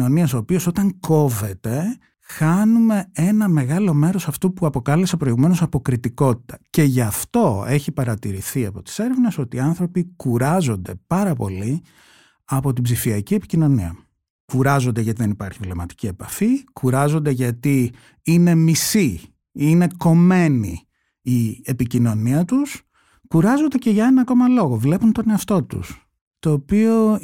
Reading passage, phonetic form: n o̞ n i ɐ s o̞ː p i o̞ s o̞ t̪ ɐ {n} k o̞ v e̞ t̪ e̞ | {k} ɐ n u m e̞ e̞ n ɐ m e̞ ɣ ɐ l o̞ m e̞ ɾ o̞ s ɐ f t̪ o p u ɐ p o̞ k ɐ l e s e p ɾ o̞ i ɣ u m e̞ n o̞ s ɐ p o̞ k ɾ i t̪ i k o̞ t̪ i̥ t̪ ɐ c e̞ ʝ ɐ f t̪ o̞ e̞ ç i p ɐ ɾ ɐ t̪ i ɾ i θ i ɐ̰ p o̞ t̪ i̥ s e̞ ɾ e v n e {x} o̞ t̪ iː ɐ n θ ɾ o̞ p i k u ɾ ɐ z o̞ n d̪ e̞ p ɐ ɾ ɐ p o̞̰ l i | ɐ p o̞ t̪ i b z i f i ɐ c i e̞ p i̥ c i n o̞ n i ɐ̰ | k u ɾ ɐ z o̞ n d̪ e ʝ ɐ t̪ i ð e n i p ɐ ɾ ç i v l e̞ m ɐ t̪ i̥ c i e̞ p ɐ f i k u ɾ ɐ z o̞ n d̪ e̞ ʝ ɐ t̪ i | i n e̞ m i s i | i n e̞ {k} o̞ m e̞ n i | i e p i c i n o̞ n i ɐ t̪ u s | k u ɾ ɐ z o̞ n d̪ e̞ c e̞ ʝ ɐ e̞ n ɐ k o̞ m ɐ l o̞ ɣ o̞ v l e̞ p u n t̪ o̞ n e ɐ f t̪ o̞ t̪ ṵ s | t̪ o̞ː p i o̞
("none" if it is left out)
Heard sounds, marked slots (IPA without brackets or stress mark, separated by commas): ŋ, x, s, k